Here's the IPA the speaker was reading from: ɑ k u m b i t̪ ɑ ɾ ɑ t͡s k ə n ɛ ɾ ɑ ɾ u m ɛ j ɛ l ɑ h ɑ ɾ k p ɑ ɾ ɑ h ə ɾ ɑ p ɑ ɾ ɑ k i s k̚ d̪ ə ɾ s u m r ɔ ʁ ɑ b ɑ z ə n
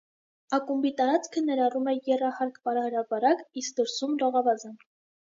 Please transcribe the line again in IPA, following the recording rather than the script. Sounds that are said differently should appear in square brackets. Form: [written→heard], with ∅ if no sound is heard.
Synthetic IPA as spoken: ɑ k u m b i t̪ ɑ ɾ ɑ t͡s [k→kʰ] ə n ɛ ɾ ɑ [ɾ→r] u m ɛ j ɛ [l→r] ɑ h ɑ ɾ k p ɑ ɾ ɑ h ə ɾ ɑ p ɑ ɾ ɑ k i s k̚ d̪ ə ɾ s u m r ɔ ʁ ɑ [b→v] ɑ z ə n